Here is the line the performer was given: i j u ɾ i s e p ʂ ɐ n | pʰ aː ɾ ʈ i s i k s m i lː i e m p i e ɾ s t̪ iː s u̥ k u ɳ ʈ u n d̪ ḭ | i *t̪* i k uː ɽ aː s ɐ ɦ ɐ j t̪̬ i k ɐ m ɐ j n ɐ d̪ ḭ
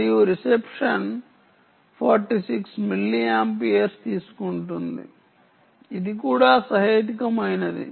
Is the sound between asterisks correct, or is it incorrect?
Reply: incorrect